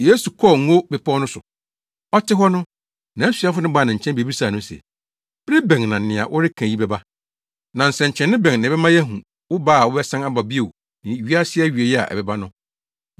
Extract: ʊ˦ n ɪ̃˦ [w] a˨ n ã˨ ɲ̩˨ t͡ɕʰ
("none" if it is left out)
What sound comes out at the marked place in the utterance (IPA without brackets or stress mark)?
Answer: b